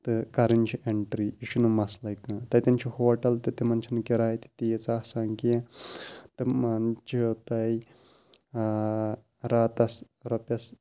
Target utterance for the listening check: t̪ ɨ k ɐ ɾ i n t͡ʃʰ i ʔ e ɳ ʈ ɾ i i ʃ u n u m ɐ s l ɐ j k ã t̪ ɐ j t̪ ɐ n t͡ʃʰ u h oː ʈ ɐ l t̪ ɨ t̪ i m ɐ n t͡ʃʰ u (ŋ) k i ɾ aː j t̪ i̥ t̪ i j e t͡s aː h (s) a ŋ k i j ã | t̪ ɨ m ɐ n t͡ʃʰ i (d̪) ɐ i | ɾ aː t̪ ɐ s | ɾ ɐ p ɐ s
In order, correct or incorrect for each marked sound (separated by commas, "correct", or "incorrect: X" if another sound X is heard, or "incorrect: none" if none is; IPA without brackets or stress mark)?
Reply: incorrect: n, correct, incorrect: t̪